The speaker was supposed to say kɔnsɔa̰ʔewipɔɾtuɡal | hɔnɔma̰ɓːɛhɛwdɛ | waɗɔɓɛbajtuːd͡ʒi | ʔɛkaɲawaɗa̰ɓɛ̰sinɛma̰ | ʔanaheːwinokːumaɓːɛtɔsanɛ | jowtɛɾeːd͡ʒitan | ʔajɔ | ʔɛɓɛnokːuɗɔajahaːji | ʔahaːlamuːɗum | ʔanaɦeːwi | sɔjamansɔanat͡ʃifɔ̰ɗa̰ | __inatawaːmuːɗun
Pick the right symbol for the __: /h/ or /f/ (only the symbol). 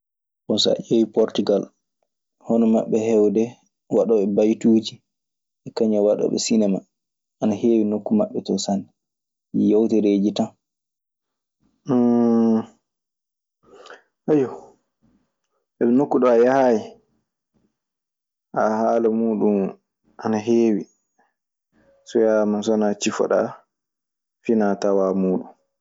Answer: f